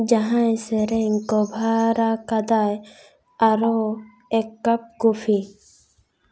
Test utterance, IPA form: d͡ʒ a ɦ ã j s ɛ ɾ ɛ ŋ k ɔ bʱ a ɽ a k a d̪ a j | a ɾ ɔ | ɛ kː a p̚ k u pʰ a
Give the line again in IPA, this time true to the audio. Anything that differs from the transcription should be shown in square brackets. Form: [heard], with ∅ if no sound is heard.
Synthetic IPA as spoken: d͡ʒ a ɦ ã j s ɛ ɾ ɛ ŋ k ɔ bʱ a [ɾ] a k a d̪ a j | a ɾ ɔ | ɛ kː a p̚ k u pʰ [i]